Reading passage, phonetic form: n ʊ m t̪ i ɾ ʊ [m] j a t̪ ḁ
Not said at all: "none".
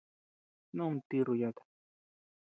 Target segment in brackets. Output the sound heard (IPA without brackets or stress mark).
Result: none